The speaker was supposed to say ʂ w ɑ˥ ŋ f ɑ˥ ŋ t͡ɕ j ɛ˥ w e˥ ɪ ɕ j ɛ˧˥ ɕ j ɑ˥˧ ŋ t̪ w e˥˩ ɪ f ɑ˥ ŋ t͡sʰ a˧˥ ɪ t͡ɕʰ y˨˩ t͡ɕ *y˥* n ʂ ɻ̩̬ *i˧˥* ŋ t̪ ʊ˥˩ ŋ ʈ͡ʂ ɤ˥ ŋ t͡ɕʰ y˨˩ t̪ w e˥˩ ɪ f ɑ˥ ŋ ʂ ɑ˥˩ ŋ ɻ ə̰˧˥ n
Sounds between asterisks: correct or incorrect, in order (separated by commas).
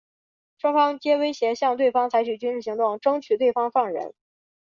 correct, correct